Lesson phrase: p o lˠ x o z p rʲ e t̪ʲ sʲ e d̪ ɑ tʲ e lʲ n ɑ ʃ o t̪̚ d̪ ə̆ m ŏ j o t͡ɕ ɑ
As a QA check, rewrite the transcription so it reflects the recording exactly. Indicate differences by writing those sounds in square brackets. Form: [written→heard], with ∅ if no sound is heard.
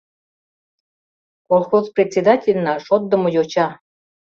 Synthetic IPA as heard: [p→k] o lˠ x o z p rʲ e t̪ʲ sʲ e d̪ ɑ tʲ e lʲ n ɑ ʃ o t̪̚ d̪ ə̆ m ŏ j o t͡ɕ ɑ